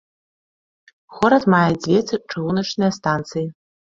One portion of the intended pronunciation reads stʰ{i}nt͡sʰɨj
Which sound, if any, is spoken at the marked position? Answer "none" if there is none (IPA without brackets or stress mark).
a